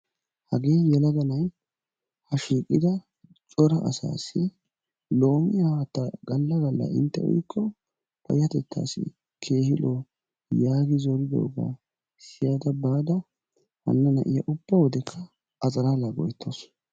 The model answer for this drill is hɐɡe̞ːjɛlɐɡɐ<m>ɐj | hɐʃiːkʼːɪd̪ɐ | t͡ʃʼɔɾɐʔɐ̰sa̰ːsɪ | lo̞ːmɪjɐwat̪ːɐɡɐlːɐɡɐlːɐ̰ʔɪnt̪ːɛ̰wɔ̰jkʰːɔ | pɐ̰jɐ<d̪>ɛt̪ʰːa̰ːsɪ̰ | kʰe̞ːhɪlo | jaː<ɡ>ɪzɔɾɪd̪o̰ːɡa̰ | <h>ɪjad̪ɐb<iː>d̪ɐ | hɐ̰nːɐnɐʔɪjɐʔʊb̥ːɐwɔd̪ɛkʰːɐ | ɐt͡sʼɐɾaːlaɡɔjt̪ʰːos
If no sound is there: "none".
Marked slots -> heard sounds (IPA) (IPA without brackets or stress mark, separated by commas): n, t̪, ɡ, s, aː